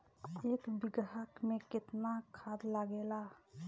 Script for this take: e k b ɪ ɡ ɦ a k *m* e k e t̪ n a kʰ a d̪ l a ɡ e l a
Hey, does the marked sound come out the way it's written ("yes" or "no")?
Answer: yes